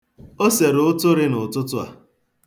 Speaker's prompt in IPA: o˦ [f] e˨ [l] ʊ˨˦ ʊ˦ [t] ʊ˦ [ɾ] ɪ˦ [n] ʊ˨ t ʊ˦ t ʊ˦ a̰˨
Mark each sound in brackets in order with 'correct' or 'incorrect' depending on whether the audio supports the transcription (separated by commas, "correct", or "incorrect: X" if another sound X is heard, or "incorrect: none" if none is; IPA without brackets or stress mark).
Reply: incorrect: s, incorrect: ɾ, correct, correct, correct